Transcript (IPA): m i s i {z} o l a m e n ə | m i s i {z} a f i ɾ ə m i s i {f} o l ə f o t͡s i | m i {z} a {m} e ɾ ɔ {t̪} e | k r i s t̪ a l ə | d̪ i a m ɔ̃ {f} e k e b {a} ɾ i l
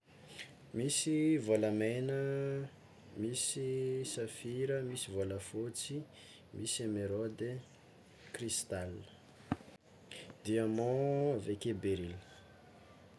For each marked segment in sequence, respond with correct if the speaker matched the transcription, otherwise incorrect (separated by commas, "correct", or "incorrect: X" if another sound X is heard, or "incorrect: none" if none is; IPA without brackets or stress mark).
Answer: incorrect: v, incorrect: s, incorrect: v, incorrect: s, correct, incorrect: d̪, incorrect: v, incorrect: e